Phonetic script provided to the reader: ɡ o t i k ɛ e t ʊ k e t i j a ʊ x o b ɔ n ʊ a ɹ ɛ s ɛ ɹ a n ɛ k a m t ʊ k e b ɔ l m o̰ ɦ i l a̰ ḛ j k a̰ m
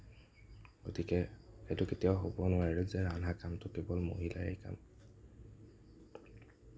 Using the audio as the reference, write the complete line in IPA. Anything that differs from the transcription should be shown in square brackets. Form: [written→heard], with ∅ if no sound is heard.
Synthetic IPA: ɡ o t i k ɛ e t ʊ k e t i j a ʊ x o b ɔ n ʊ a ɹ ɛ [s→z] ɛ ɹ a n [ɛ→a] k a m t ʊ k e b ɔ l m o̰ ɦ i l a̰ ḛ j k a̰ m